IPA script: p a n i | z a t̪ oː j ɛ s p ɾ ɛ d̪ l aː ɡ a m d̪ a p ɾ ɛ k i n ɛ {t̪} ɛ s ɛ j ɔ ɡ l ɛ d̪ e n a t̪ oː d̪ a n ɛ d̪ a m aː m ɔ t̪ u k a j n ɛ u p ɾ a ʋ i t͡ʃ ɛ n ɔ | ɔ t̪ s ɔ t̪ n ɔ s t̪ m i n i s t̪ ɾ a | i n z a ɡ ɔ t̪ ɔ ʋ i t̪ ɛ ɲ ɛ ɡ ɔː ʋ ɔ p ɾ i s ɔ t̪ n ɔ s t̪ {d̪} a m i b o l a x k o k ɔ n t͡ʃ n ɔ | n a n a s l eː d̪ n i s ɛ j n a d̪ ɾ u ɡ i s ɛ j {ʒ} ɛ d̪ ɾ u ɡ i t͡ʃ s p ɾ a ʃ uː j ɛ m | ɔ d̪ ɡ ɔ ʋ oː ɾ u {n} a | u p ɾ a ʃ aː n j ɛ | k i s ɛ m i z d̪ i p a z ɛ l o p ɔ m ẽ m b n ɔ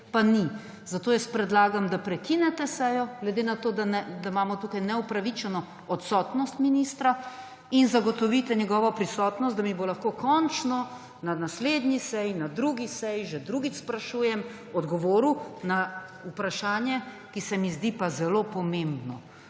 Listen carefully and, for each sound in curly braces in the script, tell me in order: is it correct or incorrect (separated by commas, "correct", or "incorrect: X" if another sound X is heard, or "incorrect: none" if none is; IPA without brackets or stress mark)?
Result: correct, correct, correct, correct